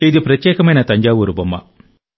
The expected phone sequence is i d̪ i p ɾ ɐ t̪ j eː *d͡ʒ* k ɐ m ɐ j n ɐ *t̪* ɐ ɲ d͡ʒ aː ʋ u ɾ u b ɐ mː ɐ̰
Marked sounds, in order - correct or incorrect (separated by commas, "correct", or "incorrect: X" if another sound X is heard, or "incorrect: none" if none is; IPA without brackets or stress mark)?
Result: incorrect: none, correct